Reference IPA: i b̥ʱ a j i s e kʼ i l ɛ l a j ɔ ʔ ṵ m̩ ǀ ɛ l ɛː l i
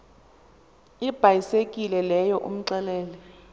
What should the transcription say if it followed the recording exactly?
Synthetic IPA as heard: i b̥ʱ a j i s e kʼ i l ɛ l ɛ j ɔ ʔ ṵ m̩ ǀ ɛ l ɛː l ɛ